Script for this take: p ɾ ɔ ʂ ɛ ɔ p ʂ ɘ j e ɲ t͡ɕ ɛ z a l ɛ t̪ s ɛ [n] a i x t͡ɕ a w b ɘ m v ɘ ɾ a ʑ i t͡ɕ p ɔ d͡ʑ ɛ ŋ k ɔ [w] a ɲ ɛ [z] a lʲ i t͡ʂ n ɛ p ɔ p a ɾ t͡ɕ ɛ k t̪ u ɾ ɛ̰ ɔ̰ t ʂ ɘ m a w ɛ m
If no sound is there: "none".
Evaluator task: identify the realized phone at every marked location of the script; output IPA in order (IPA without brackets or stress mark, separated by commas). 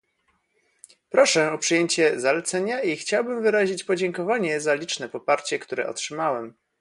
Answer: ɲ, v, z